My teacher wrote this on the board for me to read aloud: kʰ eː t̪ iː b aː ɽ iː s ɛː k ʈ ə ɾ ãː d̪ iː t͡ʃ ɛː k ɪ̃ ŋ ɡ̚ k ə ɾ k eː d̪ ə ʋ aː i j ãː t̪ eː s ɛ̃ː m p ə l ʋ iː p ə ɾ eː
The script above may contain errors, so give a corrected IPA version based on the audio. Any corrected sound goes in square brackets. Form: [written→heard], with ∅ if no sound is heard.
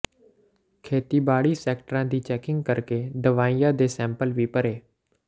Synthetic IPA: kʰ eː t̪ iː b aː ɽ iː s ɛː k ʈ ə ɾ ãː d̪ iː t͡ʃ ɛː k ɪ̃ ŋ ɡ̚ k ə ɾ k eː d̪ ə ʋ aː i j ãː [t̪→d̪] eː s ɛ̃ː m p ə l ʋ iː p ə ɾ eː

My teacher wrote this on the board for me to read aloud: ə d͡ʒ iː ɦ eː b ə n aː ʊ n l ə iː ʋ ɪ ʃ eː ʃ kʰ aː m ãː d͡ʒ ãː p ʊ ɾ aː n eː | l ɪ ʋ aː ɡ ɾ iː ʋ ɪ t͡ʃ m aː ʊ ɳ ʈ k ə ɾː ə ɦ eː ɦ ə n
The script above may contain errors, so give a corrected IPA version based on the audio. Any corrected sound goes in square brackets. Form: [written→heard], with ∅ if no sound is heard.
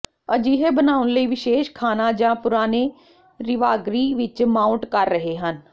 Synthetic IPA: ə d͡ʒ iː ɦ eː b ə n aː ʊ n l ə iː ʋ ɪ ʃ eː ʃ kʰ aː [m→n] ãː d͡ʒ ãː p ʊ ɾ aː n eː | [l→ɾ] ɪ ʋ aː ɡ ɾ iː ʋ ɪ t͡ʃ m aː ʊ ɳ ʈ k ə ɾː ə ɦ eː ɦ ə n

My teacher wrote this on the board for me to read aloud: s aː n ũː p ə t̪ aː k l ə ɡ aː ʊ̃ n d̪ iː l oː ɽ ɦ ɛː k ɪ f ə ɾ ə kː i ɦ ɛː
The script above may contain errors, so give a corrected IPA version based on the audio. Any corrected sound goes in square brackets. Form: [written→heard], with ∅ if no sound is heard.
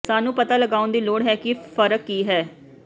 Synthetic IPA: s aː n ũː p ə t̪ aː [k→∅] l ə ɡ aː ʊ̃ n d̪ iː l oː ɽ ɦ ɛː k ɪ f ə ɾ ə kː [i→iː] ɦ ɛː

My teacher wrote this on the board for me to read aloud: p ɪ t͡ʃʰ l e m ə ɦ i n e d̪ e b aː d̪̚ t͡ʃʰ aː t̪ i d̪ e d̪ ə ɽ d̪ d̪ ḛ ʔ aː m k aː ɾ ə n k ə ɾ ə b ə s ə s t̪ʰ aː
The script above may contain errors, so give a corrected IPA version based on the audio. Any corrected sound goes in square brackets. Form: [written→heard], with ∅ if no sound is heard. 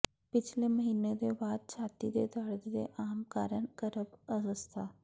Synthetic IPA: p ɪ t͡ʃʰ l e m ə ɦ [i→iː] n e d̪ e b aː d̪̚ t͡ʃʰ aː t̪ i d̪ e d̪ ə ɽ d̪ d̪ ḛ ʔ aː m k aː ɾ ə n k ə ɾ ə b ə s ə s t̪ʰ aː

